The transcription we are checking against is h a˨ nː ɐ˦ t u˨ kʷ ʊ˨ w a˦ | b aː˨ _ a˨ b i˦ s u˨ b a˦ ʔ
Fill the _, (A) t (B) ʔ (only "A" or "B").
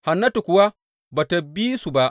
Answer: A